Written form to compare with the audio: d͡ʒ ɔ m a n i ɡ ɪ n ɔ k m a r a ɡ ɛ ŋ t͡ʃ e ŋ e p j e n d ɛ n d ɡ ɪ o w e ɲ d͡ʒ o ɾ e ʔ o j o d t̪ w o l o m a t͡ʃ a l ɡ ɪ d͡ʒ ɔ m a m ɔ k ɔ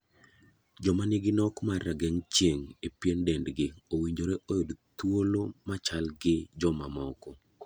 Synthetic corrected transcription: d͡ʒ ɔ m a n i ɡ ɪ n ɔ k m a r a ɡ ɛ ŋ t͡ʃ e ŋ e p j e n d ɛ n d ɡ ɪ o w i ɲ d͡ʒ o ɾ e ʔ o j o d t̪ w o l o m a t͡ʃ a l ɡ ɪ d͡ʒ ɔ m a m ɔ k ɔ